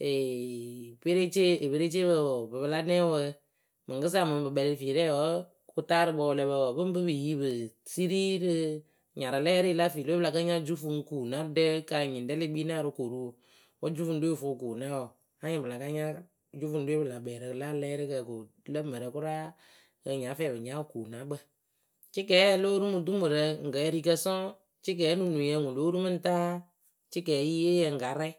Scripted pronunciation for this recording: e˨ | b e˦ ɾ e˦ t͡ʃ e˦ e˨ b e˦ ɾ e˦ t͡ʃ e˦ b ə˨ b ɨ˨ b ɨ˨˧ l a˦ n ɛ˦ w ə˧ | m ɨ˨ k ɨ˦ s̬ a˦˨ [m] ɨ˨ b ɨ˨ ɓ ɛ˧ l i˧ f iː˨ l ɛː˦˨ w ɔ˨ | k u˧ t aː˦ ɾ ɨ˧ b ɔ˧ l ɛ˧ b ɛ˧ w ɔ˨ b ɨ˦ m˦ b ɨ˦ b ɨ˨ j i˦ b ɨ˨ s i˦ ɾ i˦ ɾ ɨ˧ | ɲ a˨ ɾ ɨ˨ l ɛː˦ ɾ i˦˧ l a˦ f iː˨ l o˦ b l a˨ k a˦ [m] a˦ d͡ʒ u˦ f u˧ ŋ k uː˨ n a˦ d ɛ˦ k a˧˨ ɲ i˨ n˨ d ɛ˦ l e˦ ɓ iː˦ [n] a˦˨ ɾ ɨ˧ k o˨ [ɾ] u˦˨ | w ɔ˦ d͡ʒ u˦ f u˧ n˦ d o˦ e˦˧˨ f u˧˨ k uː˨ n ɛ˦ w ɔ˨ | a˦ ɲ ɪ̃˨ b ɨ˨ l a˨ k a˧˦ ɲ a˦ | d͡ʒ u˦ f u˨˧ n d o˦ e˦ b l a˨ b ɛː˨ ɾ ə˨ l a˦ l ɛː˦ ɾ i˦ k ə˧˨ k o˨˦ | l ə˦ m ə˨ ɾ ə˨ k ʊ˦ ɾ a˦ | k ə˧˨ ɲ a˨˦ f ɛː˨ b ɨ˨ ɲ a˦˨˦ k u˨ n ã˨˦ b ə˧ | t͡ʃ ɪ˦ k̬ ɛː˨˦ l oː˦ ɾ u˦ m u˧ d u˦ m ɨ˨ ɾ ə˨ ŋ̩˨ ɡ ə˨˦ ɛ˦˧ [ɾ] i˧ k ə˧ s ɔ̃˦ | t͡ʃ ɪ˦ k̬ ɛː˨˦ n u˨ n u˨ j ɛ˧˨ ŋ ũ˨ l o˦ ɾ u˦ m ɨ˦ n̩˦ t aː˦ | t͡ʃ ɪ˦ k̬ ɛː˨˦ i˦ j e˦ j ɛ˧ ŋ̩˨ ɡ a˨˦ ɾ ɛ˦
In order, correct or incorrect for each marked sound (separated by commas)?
correct, incorrect, correct, correct, correct